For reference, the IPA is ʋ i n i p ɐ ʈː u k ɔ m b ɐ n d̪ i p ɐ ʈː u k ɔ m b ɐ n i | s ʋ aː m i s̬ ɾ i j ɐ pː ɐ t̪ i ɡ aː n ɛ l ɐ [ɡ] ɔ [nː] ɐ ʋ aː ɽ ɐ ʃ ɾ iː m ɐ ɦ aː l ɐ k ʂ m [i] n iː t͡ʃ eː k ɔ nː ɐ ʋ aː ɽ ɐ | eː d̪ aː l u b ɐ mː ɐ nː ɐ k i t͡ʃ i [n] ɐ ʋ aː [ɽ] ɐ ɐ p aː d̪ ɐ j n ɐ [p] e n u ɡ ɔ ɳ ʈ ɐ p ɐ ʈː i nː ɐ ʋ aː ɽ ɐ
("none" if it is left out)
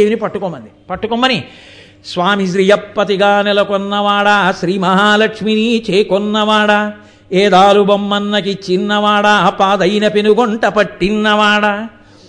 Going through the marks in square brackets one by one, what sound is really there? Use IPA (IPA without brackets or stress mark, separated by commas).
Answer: k, nː, i, nː, ɽ, p